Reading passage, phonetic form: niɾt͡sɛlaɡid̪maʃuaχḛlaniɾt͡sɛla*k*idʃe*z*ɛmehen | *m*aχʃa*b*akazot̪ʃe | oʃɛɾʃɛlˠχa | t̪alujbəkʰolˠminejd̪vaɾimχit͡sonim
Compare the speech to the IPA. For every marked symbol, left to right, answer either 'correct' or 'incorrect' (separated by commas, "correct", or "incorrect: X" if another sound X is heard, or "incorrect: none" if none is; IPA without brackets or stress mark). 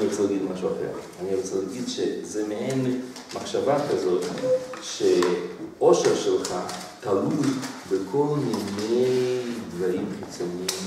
incorrect: ɡ, correct, correct, incorrect: v